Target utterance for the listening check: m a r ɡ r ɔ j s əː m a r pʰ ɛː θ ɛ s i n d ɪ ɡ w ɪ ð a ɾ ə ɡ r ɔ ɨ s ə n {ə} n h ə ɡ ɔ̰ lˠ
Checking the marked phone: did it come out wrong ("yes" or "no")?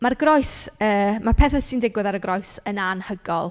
yes